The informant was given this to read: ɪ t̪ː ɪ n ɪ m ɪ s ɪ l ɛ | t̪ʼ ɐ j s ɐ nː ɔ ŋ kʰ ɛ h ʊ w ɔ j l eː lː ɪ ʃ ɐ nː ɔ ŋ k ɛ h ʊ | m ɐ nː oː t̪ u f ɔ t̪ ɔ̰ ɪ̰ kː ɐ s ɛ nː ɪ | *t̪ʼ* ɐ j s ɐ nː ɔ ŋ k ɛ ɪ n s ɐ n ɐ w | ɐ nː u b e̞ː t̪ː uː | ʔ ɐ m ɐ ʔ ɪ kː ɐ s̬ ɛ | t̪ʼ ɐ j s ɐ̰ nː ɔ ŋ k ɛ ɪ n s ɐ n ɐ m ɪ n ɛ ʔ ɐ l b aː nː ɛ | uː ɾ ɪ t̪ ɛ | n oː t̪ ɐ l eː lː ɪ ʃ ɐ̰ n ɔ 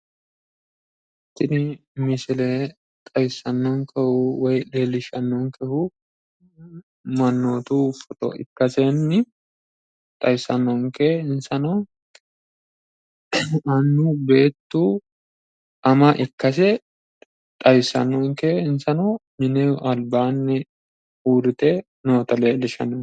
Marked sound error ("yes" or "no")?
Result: no